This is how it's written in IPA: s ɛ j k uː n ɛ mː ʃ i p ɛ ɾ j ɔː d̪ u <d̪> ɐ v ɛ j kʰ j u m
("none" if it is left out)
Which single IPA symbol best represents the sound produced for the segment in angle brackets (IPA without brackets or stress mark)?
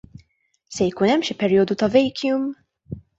t̪